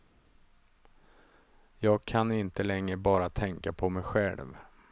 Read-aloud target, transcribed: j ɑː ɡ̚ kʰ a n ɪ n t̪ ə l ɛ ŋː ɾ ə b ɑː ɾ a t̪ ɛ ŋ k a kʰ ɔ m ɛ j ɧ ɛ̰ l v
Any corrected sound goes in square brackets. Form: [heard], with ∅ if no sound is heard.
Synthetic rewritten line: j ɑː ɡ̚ kʰ a n ɪ n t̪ ə l ɛ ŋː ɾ ə b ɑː ɾ a [t̪ʰ] ɛ ŋ k a [pʰ] ɔ m ɛ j ɧ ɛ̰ l v